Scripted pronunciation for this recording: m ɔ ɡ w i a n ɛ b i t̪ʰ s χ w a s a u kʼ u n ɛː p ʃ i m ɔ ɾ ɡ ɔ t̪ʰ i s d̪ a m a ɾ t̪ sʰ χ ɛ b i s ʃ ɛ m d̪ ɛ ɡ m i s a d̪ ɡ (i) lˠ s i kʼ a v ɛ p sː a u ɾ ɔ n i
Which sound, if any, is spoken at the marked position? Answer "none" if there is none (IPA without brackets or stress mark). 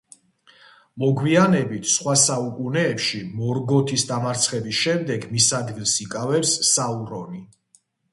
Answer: i